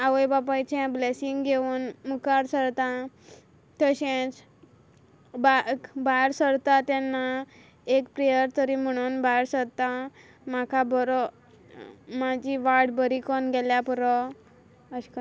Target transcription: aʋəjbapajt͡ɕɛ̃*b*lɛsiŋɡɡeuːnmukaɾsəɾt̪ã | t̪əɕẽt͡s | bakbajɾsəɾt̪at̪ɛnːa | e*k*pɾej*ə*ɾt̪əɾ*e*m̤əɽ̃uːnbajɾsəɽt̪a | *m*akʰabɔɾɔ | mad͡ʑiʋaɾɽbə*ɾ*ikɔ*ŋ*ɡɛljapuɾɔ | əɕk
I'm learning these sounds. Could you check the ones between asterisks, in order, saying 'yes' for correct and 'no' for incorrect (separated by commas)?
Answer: yes, yes, yes, no, yes, yes, no